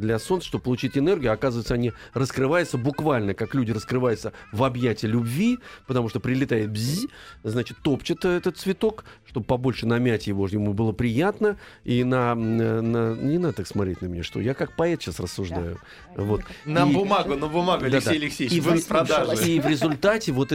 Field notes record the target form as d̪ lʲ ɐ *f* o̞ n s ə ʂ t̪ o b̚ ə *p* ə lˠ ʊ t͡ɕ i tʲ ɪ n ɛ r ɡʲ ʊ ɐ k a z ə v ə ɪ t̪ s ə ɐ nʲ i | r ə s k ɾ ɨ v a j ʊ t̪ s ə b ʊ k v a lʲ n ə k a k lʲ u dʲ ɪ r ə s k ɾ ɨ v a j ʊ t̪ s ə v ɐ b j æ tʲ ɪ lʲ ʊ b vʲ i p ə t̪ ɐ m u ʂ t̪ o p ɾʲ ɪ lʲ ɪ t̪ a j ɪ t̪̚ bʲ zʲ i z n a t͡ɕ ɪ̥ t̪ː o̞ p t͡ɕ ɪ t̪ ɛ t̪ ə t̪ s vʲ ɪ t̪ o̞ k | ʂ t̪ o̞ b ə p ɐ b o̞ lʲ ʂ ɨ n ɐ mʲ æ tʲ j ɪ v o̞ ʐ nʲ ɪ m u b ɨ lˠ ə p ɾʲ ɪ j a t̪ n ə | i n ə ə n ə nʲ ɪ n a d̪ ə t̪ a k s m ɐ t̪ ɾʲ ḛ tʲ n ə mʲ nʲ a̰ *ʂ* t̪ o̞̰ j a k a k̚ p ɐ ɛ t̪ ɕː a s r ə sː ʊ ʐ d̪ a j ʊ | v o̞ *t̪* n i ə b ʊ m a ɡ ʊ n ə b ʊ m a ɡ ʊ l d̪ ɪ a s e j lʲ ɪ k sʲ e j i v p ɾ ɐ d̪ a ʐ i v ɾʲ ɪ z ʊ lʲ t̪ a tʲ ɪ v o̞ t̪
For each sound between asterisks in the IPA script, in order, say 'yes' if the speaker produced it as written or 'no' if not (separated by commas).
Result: no, yes, yes, yes